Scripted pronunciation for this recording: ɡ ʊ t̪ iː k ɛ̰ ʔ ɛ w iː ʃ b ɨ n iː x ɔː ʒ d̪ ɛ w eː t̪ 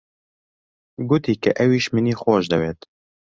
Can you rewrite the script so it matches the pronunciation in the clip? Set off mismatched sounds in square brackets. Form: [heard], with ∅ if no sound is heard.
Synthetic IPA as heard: ɡ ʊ t̪ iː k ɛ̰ ʔ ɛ w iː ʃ [m] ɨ n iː x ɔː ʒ d̪ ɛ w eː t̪